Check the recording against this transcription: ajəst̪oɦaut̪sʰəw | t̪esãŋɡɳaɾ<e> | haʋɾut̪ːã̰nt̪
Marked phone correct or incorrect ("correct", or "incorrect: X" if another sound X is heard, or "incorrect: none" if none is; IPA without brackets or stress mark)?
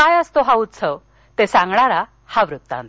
incorrect: a